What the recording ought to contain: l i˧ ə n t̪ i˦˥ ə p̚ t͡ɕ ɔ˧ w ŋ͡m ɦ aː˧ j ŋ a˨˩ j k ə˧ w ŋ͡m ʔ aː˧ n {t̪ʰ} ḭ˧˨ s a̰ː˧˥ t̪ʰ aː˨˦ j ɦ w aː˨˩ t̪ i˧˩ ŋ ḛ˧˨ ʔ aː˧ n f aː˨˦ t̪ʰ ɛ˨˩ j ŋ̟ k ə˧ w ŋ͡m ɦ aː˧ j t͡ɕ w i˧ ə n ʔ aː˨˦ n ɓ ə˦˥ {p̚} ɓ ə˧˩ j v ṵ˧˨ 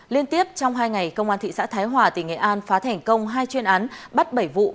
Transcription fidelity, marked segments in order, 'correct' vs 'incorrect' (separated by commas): incorrect, incorrect